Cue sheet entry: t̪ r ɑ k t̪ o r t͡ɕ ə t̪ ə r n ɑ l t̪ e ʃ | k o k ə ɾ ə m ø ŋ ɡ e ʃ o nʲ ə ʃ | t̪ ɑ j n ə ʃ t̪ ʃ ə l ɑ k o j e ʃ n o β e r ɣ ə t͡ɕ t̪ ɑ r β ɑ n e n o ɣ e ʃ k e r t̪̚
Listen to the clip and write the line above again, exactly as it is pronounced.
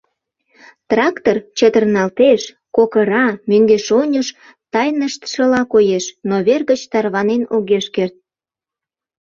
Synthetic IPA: t̪ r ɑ k t̪ o r t͡ɕ ə t̪ ə r n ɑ l t̪ e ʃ | k o k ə ɾ ɑ m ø ŋ ɡ e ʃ o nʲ ə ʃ | t̪ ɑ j n ə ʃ t̪ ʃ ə l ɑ k o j e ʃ n o β e r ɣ ə t͡ɕ t̪ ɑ r β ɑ n e n o ɣ e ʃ k e r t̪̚